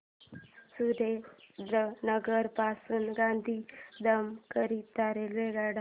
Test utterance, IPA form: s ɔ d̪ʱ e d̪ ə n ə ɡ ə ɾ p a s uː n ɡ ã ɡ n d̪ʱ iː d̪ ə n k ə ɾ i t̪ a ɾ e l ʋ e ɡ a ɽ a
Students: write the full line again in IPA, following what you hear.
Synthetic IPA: s u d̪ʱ e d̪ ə n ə ɡ ə ɾ p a s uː n ɡ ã n d̪ʱ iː d̪ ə m k ə ɾ i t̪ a ɾ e l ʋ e ɡ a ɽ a

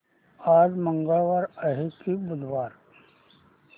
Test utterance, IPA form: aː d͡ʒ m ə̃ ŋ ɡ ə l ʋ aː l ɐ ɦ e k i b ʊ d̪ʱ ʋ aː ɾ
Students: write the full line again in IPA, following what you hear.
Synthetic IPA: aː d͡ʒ m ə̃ ŋ ɡ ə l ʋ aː ɾ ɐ ɦ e k i b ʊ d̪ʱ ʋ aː ɾ

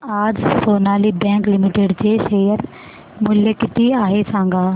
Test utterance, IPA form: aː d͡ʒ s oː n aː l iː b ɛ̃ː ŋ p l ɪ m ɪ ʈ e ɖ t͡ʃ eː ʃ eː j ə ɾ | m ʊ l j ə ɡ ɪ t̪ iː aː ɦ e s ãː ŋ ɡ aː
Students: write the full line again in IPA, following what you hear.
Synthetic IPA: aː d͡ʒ s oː n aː l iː b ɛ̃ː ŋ k l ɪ m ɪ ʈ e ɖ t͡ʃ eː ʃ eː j ə ɾ | m ʊ l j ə k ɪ t̪ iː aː ɦ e s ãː ŋ ɡ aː

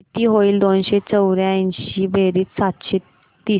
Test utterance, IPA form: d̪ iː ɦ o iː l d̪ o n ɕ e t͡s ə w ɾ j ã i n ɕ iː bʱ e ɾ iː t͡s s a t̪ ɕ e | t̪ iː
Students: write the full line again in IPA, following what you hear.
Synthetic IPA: t̪ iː ɦ o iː l d̪ o n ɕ e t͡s ə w ɾ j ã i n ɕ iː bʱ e ɾ iː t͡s s a t̪ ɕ e | t̪ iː

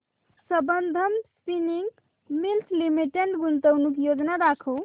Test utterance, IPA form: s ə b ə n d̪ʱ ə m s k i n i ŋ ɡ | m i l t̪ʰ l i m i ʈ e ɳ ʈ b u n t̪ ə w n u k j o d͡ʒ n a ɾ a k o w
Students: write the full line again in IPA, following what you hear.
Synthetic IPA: s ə b ə n d̪ʱ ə m s p i n i ŋ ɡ | m i l t̪ʰ l i m i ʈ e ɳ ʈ ɡ u n t̪ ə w n u k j o d͡ʒ n a ɾ a kʰ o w

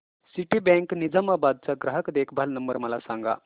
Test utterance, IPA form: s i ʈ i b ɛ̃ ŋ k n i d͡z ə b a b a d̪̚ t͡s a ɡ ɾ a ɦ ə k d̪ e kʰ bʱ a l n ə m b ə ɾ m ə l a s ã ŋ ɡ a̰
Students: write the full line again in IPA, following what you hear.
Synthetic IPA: s i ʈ i b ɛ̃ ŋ k n i d͡z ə m a b a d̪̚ t͡s a ɡ ɾ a ɦ ə k d̪ e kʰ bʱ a l n ə m b ə ɾ m ə l a s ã ŋ ɡ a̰

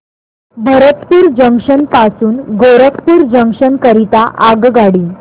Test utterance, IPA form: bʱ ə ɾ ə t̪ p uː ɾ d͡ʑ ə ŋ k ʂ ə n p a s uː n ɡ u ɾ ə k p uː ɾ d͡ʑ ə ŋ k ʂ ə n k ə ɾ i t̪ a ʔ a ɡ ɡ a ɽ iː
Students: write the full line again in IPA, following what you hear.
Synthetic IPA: bʱ ə ɾ ə t̪ p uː ɾ d͡ʑ ə ŋ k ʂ ə n p a s uː n ɡ o ɾ ə k p uː ɾ d͡ʑ ə ŋ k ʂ ə n k ə ɾ i t̪ a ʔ a ɡ ɡ a ɽ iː

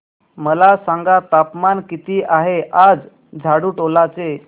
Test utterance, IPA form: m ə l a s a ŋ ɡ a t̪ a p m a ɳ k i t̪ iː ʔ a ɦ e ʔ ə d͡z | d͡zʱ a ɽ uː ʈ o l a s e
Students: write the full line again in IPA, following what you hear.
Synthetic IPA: m ə l a s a ŋ ɡ a t̪ a p m a n k i t̪ iː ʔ a ɦ e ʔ a d͡z | d͡zʱ a ɽ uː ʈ o l a t͡s e

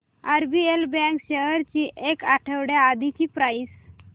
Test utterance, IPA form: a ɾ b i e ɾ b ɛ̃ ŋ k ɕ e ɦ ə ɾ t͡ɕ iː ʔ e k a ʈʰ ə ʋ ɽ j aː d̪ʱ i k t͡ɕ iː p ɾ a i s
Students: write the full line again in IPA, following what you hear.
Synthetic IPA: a ɾ b i e l b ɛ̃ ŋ k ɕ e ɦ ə ɾ t͡ɕ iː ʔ e k a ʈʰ ə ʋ ɽ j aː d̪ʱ i t͡ɕ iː p ɾ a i s

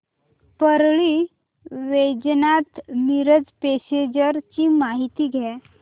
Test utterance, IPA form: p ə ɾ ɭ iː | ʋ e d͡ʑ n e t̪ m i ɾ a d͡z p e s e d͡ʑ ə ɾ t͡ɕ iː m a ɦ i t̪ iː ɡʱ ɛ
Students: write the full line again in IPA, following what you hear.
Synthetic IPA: p ə ɾ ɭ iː | ʋ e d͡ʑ n a t̪ m i ɾ ə d͡z p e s e d͡ʑ ə ɾ t͡ɕ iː m a ɦ i t̪ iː ɡʱ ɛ

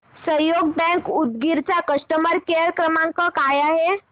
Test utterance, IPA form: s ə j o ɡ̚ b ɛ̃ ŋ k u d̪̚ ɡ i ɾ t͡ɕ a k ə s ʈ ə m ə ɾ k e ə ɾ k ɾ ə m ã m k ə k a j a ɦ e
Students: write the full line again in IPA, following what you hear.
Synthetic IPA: s ə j o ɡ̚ b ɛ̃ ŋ k u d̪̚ ɡ i ɾ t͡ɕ a k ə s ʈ ə m ə ɾ k e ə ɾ k ɾ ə m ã ŋ k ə k a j a ɦ e

